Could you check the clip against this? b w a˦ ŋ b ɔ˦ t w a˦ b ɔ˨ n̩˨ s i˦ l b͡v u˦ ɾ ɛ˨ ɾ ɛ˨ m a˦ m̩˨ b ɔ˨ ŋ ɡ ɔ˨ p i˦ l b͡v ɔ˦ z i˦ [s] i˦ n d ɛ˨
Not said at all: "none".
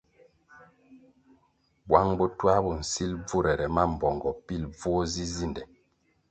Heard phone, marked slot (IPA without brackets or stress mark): z